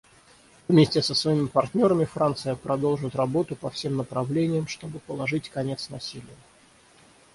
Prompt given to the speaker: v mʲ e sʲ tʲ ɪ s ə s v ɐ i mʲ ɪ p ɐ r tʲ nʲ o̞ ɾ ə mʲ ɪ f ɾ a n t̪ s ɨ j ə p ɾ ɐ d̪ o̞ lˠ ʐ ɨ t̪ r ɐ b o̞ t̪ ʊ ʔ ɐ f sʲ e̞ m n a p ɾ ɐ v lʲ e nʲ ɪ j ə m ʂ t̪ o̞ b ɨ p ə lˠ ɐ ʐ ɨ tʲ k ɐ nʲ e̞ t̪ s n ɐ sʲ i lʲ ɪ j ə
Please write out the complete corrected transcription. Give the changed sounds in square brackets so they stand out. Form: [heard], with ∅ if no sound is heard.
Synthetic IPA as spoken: v mʲ e sʲ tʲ ɪ s ə s v ɐ i mʲ ɪ p ɐ r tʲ nʲ o̞ ɾ ə mʲ ɪ f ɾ a n t̪ s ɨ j ə p ɾ ɐ d̪ o̞ lˠ ʐ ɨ t̪ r ɐ b o̞ t̪ ʊ [p] ɐ f sʲ e̞ m n [ə] p ɾ ɐ v lʲ e nʲ ɪ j ə m ʂ t̪ o̞ b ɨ p ə lˠ ɐ ʐ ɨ tʲ k ɐ nʲ e̞ t̪ s n ɐ sʲ i lʲ ɪ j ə

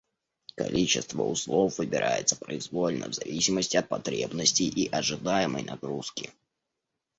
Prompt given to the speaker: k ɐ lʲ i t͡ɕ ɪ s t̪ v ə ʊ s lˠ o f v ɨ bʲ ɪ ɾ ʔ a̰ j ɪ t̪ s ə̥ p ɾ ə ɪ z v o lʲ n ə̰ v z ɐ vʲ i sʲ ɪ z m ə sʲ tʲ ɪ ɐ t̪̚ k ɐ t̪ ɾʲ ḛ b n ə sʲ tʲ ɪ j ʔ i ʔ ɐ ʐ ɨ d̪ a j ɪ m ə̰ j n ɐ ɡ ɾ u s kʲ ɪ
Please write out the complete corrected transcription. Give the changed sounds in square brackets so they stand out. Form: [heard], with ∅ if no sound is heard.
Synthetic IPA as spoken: k ɐ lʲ i t͡ɕ ɪ s t̪ v ə ʊ s lˠ o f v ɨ bʲ ɪ ɾ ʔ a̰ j ɪ t̪ s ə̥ p ɾ ə ɪ z v o lʲ n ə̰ v z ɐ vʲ i sʲ ɪ [∅] m ə sʲ tʲ ɪ ɐ t̪̚ [p] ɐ t̪ ɾʲ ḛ b n ə sʲ tʲ ɪ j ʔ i ʔ ɐ ʐ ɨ d̪ a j ɪ m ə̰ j n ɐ ɡ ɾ u s kʲ ɪ

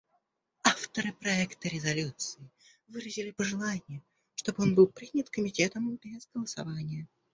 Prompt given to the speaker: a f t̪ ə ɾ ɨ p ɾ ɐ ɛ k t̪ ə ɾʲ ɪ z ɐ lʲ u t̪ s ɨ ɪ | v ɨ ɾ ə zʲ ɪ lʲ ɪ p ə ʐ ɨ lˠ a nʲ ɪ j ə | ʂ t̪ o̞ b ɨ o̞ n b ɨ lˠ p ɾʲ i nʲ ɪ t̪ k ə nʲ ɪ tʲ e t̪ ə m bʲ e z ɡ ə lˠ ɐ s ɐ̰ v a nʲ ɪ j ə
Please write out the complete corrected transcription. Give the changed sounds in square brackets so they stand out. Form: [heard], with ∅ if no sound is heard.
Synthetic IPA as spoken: a f t̪ ə ɾ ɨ p ɾ ɐ ɛ k t̪ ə ɾʲ ɪ z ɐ lʲ u t̪ s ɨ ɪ | v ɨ ɾ ə zʲ ɪ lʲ ɪ p ə ʐ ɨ lˠ a nʲ ɪ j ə | ʂ t̪ o̞ b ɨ o̞ n b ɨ lˠ p ɾʲ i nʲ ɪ t̪ k ə [mʲ] ɪ tʲ e t̪ ə m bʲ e z ɡ ə lˠ [ə] s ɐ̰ v a nʲ ɪ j ə

